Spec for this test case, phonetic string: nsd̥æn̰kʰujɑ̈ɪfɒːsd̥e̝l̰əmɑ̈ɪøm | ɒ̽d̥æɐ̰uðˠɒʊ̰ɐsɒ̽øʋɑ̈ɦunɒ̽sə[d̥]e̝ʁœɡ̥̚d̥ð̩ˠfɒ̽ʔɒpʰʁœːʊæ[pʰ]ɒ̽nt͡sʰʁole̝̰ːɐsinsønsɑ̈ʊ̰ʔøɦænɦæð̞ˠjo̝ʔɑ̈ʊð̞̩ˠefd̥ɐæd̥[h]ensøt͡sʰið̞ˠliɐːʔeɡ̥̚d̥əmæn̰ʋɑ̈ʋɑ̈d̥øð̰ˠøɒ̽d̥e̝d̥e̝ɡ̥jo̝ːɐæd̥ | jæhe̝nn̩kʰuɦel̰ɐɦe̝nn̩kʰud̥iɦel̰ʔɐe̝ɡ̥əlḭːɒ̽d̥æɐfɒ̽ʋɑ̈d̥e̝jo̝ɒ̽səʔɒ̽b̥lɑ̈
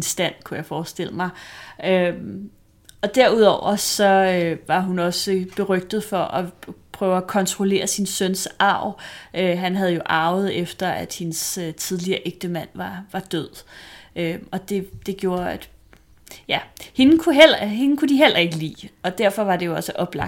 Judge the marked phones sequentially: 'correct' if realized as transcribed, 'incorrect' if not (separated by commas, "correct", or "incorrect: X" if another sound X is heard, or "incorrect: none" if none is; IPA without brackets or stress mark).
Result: incorrect: b̥, incorrect: kʰ, correct